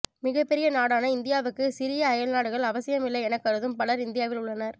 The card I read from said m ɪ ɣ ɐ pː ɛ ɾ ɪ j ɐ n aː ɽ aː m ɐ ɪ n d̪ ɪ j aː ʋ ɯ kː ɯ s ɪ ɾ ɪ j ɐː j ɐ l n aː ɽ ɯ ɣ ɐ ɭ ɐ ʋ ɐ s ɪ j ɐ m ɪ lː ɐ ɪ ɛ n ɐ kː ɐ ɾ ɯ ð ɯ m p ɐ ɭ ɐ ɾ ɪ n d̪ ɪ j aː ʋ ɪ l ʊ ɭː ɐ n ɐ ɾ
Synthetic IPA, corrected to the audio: m ɪ ɣ ɐ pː ɛ ɾ ɪ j ɐ n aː ɽ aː n ɐ ɪ n d̪ ɪ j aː ʋ ɯ kː ɯ s ɪ ɾ ɪ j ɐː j ɐ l n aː ɽ ɯ ɣ ɐ ɭ ɐ ʋ ɐ s ɪ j ɐ m ɪ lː ɐ ɪ ɛ n ɐ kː ɐ ɾ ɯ ð ɯ m p ɐ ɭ ɐ ɾ ɪ n d̪ ɪ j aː ʋ ɪ l ʊ ɭː ɐ n ɐ ɾ